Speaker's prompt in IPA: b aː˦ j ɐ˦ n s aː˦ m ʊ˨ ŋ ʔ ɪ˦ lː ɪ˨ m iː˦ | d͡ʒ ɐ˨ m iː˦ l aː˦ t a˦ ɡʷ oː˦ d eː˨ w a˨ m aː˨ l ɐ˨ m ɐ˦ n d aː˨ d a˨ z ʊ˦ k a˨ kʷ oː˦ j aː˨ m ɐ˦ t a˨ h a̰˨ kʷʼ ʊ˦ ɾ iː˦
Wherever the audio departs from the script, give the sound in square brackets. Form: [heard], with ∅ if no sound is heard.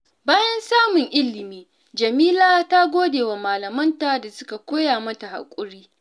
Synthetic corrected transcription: b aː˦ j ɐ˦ n s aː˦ m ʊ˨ ŋ ʔ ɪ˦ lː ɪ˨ m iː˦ | d͡ʒ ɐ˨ m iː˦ l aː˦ t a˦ ɡʷ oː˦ d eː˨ w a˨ m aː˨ l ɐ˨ m ɐ˦ n [t] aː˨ d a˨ [s] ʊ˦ k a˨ kʷ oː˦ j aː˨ m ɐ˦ t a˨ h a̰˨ kʷʼ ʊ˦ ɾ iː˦